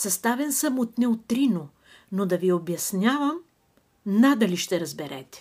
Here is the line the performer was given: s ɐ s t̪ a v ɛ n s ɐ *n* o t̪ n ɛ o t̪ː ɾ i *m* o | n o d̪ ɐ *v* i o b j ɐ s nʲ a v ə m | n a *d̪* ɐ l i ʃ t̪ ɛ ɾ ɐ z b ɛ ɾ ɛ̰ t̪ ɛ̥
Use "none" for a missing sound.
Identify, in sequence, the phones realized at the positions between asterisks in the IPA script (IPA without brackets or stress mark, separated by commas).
m, n, v, d̪